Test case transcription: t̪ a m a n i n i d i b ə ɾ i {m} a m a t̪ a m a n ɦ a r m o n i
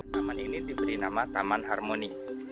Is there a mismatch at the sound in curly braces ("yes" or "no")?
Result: yes